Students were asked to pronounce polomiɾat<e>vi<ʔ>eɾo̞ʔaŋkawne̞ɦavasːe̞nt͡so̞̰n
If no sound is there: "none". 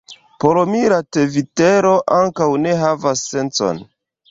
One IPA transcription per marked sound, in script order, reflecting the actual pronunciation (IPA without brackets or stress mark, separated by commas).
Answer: e, t